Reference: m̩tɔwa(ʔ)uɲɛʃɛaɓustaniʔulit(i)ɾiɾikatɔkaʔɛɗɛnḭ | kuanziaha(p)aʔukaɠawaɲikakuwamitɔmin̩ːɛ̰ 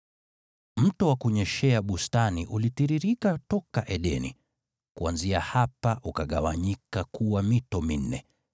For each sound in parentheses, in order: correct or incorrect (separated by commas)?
incorrect, correct, correct